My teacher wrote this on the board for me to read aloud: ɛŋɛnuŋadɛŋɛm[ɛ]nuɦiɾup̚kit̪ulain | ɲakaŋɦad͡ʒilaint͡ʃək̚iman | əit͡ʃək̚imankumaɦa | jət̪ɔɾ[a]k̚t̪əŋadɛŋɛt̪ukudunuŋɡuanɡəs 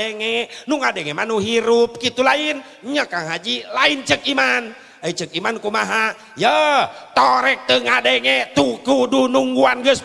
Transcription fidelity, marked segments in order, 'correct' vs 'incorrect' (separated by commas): incorrect, incorrect